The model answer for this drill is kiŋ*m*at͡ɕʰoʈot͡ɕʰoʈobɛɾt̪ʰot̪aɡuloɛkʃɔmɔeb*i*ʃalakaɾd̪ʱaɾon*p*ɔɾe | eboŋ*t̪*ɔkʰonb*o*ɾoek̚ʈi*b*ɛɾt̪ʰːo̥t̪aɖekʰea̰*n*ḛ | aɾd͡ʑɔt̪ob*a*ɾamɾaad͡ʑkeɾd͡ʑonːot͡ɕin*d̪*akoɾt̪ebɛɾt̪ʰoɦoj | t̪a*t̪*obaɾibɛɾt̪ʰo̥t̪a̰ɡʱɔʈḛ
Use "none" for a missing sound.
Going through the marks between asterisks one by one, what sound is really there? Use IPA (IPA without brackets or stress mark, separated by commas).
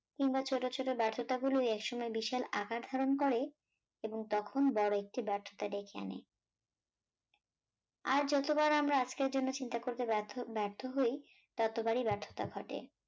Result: b, i, k, t̪, ɔ, b, n, a, t̪, t̪